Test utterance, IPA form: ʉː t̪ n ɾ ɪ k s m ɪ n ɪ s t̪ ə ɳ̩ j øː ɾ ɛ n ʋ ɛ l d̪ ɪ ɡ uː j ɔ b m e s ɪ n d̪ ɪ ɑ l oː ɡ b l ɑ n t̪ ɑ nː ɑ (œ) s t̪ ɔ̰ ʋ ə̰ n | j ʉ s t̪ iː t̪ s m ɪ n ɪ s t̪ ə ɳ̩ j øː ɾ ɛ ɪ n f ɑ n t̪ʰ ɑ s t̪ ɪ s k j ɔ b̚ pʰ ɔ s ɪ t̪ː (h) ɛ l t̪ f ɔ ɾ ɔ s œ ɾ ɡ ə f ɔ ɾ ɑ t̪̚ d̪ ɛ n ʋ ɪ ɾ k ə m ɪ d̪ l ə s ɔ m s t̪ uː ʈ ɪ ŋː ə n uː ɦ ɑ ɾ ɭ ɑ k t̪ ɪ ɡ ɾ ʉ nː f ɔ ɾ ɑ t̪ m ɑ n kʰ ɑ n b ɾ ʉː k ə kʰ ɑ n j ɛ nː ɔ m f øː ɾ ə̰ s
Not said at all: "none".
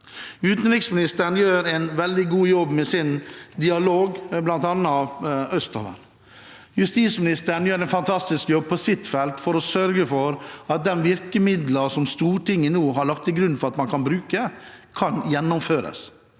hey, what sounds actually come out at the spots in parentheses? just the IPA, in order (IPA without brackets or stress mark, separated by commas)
œ, f